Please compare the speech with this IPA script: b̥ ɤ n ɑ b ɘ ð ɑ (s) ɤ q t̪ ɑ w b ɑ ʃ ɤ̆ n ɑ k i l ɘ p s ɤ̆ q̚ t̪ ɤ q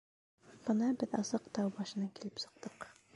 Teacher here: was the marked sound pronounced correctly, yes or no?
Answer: yes